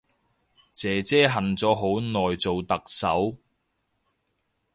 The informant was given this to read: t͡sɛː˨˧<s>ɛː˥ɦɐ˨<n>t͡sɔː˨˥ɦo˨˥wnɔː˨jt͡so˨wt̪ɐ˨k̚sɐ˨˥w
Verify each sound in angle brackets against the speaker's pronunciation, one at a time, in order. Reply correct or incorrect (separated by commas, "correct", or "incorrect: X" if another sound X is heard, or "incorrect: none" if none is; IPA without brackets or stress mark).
incorrect: t͡s, correct